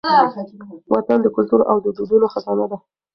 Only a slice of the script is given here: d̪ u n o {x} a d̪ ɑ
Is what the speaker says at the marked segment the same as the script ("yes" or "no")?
yes